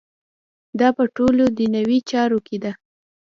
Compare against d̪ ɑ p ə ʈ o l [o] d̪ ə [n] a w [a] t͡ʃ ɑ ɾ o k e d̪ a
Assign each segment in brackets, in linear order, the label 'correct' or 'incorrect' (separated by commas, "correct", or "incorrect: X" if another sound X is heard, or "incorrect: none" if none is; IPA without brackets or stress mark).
correct, correct, incorrect: i